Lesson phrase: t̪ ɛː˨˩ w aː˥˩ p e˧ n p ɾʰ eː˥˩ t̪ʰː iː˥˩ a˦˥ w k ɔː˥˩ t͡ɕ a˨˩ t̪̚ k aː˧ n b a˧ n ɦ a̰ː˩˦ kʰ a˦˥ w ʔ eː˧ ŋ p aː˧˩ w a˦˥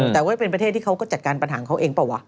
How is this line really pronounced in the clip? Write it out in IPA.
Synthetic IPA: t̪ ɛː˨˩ w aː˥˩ p e˧ n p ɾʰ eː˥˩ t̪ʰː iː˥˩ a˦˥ w k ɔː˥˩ t͡ɕ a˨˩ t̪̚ k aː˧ n p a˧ n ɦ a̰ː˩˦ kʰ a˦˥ w ʔ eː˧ ŋ p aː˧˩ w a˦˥